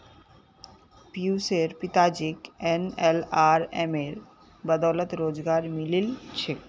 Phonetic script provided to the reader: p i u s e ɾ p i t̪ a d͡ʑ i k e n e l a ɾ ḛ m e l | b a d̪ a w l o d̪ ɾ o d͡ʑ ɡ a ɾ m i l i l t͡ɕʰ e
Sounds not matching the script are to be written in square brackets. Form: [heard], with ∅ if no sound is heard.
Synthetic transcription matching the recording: p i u s e ɾ p i t̪ a d͡ʑ i k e n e l a ɾ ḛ m e [ɾ] | b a d̪ a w l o [t̪] ɾ o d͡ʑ ɡ a ɾ m i l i l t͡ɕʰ e